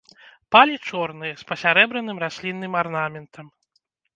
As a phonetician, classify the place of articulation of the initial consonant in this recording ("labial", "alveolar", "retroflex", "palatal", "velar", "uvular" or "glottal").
labial